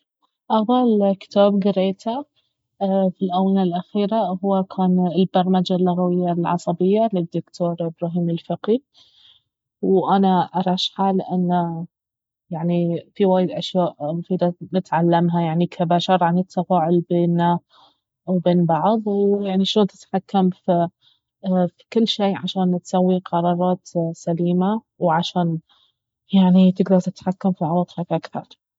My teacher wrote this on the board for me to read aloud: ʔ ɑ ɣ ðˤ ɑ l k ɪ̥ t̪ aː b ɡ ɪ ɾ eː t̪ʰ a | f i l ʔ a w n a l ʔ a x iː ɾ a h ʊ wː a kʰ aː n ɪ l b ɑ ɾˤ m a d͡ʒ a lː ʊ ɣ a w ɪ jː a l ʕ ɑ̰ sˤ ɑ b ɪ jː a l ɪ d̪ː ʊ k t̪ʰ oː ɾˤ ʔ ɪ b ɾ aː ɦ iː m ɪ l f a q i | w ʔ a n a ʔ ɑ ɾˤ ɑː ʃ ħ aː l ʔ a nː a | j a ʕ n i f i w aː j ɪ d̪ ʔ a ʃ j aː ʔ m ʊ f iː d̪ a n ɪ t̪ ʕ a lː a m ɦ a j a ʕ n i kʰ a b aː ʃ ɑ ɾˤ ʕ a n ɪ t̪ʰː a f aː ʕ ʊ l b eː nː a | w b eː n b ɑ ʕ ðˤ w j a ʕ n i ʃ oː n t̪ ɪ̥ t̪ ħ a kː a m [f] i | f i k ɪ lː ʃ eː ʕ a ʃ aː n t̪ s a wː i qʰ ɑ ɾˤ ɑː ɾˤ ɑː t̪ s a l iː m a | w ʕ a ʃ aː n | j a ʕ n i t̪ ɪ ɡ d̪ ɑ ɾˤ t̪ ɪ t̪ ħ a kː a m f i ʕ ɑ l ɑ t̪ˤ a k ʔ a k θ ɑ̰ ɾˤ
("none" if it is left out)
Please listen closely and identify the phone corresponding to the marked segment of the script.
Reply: f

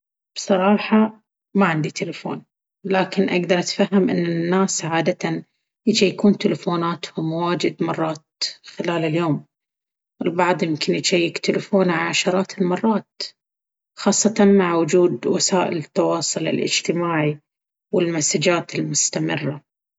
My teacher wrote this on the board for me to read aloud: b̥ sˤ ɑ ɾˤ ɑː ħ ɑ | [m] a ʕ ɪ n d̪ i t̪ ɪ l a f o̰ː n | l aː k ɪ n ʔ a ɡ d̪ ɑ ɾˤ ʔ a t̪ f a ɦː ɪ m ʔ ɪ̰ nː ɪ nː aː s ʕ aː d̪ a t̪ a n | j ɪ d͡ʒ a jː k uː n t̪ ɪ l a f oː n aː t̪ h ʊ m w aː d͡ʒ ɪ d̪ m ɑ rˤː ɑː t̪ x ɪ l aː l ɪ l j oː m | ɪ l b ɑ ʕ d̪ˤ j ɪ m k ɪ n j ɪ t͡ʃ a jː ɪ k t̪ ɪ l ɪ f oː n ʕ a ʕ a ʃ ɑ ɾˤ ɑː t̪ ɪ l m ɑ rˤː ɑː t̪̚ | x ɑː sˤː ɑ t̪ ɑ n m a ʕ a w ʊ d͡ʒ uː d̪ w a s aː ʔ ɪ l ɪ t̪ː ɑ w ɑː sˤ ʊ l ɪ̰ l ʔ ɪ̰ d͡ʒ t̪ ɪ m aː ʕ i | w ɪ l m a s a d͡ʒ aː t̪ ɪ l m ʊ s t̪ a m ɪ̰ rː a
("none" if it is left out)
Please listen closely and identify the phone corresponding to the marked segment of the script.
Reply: m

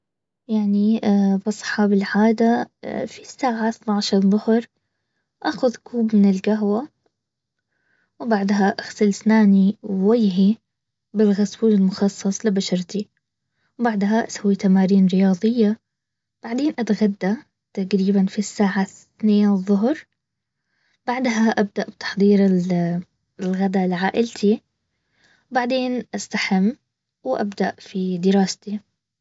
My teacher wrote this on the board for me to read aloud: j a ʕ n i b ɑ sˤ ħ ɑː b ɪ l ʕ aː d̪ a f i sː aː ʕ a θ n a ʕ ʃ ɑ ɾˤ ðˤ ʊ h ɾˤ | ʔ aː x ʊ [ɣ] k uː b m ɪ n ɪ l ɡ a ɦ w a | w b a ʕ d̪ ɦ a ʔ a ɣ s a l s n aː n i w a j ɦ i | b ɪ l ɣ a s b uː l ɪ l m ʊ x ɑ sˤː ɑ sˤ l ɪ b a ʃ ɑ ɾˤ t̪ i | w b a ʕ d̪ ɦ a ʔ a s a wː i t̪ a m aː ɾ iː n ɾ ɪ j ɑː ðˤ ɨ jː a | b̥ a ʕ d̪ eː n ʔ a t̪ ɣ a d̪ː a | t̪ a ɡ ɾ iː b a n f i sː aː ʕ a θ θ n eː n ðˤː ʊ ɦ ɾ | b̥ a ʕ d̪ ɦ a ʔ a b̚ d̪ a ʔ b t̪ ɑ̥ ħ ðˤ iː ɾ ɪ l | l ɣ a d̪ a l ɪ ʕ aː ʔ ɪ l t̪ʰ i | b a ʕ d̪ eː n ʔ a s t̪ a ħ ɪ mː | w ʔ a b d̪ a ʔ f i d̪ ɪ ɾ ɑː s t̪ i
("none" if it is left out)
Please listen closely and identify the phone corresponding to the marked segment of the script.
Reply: ð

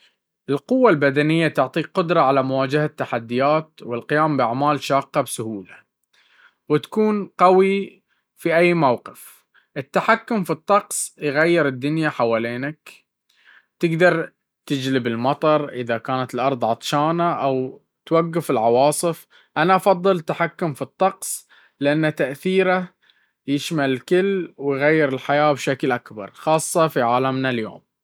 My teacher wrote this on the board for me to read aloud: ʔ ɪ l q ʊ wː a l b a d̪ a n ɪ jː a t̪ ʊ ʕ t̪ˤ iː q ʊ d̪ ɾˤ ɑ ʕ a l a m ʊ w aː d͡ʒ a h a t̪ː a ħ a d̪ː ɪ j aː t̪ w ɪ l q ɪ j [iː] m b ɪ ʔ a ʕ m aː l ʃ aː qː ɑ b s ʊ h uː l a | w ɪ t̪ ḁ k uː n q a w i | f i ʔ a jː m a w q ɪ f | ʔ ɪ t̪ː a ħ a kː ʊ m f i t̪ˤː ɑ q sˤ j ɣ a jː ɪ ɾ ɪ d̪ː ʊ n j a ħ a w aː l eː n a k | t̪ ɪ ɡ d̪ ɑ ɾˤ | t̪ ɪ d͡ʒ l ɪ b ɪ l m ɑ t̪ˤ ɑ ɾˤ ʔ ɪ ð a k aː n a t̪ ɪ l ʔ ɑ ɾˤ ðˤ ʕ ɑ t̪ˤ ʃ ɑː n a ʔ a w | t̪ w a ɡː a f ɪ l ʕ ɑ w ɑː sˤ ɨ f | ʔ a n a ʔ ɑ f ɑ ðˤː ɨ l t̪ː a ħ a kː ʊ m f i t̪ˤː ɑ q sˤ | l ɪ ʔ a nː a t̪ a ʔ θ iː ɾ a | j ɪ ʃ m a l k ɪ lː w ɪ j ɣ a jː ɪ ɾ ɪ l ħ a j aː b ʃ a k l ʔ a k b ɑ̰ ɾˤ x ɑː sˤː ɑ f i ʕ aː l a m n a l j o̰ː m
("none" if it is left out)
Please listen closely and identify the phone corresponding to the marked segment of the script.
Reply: aː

